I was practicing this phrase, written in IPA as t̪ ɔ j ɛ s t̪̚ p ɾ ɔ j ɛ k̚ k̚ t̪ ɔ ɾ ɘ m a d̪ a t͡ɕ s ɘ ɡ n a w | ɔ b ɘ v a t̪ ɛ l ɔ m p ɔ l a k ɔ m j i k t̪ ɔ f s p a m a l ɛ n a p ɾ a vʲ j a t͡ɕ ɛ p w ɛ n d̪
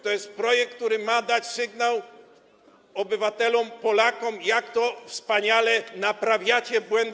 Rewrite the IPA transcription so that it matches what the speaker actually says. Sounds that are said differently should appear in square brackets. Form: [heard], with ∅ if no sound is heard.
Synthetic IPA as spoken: t̪ ɔ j ɛ s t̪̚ p ɾ ɔ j ɛ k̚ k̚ t̪ [u] ɾ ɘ m a d̪ a t͡ɕ s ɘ ɡ n a w | ɔ b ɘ v a t̪ ɛ l ɔ m p ɔ l a k ɔ m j [a] k t̪ ɔ f s p a [ɲ] a l ɛ n a p ɾ a vʲ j a t͡ɕ ɛ [b] w ɛ n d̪